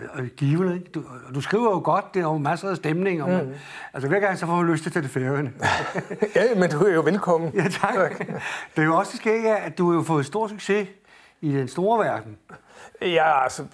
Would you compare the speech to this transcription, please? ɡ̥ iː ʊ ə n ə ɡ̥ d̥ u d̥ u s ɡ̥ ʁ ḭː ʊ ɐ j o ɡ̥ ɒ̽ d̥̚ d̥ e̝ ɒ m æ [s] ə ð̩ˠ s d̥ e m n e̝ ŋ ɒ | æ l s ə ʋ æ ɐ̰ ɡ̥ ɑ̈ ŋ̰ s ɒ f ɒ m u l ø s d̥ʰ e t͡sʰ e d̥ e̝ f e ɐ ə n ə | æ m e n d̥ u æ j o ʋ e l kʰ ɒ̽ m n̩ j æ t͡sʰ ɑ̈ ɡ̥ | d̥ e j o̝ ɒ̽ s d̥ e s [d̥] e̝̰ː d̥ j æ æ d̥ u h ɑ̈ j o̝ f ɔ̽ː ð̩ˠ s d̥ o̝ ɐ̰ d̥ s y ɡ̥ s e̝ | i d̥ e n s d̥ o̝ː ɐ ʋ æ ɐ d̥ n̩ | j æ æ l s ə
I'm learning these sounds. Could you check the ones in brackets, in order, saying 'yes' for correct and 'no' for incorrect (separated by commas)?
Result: yes, no